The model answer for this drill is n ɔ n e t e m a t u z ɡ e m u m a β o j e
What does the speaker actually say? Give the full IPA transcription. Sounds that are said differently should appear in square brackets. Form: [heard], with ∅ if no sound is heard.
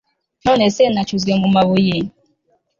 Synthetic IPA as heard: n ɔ n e [s] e [n] a [t͡ʃ] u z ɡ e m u m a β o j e